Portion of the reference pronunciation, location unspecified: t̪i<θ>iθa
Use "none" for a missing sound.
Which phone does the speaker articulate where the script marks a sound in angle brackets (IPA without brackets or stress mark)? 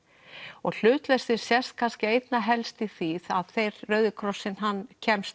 θ